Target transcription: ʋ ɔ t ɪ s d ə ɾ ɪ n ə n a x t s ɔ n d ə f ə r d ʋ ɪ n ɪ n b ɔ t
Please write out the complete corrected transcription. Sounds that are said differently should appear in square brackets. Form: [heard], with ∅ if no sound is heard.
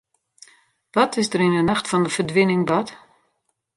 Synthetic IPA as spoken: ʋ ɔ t ɪ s d ə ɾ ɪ n ə n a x t [f] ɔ n d ə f ə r d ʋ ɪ n ɪ [ŋ] b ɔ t